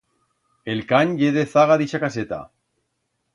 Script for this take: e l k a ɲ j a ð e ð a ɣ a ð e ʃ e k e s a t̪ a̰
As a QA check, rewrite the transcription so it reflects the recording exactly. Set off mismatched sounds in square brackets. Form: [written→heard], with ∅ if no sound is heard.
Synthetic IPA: e l k a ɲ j [a→e] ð e [ð→θ] a ɣ a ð [e→i] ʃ [e→a] k [e→a] s [a→e] t̪ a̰